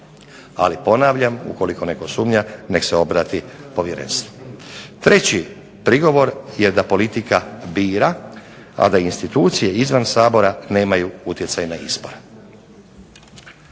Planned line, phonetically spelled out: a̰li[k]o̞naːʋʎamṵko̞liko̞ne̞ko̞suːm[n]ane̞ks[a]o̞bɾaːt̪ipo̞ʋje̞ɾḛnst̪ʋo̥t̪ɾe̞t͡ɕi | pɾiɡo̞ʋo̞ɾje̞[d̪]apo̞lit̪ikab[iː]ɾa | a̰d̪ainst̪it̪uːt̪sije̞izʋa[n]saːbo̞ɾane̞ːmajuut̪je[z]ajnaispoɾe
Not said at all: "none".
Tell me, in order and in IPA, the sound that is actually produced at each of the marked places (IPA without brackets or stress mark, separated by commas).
p, ɲ, e, d̪, iː, n, s